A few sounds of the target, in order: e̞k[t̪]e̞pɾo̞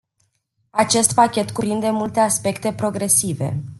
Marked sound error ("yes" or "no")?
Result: no